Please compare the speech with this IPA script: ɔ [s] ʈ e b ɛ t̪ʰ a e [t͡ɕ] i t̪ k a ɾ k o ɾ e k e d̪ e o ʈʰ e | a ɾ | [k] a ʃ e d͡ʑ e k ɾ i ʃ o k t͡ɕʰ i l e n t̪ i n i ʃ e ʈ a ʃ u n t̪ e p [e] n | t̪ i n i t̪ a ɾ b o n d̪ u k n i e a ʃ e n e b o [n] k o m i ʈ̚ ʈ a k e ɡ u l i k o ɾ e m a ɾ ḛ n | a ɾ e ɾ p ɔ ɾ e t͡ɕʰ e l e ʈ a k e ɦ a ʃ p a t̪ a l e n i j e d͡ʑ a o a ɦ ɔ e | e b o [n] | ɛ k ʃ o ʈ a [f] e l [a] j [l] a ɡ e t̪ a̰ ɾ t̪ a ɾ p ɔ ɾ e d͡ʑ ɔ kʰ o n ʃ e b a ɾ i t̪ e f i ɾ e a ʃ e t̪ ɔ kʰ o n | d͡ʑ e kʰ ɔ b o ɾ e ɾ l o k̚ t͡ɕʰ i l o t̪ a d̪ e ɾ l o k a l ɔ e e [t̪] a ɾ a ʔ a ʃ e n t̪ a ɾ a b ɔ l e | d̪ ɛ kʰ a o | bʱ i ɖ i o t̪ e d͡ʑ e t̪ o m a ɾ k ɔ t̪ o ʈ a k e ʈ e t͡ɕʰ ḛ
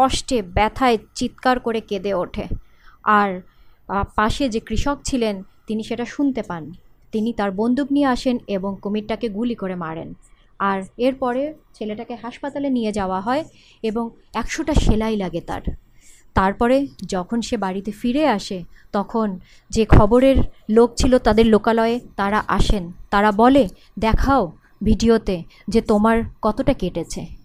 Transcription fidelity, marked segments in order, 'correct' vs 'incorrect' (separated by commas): incorrect, correct, incorrect, incorrect, incorrect, incorrect, incorrect, correct, correct, correct